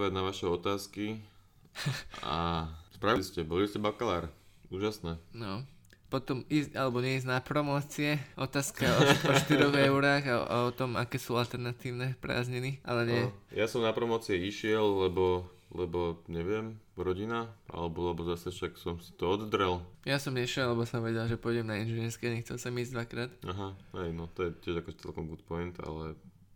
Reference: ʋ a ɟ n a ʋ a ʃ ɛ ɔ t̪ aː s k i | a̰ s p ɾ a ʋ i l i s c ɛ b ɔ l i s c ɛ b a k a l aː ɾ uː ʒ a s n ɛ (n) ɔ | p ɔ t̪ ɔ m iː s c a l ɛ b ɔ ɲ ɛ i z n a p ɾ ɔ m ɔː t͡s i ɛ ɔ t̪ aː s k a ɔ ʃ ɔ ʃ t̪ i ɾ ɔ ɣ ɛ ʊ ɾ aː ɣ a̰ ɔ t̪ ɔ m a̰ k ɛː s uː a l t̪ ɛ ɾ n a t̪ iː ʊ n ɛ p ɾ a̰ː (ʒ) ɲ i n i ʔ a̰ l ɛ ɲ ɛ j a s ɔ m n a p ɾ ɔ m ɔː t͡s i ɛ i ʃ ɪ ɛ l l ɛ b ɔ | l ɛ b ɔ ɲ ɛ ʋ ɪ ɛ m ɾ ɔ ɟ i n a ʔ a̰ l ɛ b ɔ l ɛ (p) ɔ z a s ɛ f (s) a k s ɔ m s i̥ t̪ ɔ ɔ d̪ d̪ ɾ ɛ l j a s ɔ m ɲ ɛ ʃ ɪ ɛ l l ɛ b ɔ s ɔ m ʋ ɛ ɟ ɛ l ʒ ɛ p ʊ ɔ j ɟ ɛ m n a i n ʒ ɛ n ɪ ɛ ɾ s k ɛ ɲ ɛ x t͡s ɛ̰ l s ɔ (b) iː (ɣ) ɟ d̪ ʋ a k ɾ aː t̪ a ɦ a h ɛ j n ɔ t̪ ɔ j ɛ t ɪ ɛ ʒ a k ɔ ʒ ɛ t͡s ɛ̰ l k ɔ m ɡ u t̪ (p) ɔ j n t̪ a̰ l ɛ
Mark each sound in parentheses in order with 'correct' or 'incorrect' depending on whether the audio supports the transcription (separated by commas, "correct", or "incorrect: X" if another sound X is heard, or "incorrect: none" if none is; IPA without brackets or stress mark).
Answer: correct, incorrect: z, incorrect: b, incorrect: ʃ, incorrect: m, incorrect: z, correct